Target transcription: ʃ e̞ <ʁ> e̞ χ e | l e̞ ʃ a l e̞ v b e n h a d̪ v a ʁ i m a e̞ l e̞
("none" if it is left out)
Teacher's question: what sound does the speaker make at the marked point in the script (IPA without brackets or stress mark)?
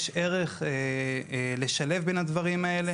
ʁ